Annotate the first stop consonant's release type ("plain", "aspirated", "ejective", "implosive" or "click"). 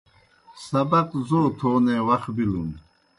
plain